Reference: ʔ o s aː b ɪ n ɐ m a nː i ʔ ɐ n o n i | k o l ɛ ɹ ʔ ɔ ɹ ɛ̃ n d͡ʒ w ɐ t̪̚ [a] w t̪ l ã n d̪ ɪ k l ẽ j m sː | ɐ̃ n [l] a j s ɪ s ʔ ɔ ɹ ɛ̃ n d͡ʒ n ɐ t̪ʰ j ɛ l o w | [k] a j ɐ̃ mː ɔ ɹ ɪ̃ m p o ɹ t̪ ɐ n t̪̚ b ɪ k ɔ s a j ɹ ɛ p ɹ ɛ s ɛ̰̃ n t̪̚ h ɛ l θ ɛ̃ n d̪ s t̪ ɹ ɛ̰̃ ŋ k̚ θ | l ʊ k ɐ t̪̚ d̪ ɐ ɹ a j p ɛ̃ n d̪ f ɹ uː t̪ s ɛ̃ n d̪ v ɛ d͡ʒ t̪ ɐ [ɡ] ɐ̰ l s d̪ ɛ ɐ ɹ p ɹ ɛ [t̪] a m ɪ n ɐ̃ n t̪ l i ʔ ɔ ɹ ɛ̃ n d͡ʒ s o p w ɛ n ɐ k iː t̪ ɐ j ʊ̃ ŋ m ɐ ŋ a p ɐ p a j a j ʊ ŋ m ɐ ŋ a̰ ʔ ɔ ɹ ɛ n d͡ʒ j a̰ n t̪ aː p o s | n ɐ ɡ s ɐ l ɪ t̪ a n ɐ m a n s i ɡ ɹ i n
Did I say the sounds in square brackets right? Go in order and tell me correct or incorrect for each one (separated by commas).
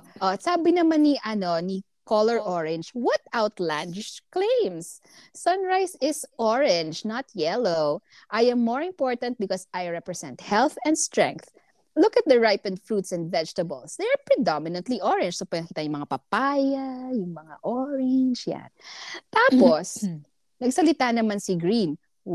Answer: correct, incorrect, incorrect, incorrect, incorrect